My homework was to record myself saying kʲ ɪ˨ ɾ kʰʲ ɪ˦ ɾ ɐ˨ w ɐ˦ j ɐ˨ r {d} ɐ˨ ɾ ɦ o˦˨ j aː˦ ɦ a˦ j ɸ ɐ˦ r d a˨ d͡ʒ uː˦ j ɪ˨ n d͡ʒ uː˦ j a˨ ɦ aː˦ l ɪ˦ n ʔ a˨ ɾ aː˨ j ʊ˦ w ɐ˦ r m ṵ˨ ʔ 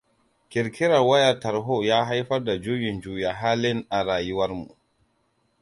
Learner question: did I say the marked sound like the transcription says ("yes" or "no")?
no